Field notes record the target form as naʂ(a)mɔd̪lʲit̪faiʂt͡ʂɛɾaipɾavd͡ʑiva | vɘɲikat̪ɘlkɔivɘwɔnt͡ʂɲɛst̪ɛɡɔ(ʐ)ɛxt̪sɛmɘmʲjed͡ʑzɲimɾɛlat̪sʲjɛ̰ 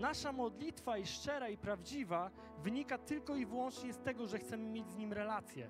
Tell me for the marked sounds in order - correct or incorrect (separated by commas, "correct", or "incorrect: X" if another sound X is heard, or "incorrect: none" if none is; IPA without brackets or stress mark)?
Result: correct, correct